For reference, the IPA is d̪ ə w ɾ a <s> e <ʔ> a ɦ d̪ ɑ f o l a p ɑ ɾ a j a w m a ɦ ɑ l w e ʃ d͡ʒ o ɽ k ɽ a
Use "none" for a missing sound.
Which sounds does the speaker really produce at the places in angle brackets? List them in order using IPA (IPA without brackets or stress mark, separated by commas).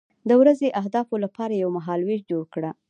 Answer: z, ʔ